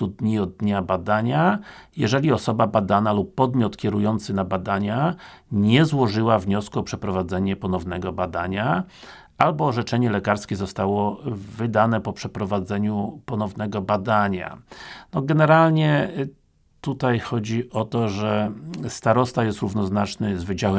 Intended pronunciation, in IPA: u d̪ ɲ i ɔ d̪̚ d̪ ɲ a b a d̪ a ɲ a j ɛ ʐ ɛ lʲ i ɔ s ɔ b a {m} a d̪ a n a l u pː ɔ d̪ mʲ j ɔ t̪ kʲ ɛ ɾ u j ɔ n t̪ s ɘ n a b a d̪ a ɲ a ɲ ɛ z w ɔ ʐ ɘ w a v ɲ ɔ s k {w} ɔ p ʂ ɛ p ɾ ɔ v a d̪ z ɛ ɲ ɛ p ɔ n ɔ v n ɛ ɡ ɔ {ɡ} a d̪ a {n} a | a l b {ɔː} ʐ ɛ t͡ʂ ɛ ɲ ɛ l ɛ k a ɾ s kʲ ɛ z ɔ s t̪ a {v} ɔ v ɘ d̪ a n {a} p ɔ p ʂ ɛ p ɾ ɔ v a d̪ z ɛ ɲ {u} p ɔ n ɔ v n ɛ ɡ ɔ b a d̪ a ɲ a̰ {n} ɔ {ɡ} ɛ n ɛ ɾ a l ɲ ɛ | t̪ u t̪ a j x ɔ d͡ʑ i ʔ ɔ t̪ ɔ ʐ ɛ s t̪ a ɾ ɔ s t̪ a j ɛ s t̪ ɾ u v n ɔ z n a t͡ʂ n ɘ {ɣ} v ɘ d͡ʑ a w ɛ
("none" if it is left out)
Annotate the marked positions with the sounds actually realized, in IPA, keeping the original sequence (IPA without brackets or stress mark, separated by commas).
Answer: b, u, b, ɲ, ɔː, w, ɛ, u, n, ɡ, z